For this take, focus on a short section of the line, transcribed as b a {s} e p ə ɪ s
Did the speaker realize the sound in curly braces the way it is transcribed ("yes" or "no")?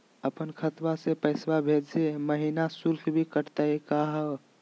yes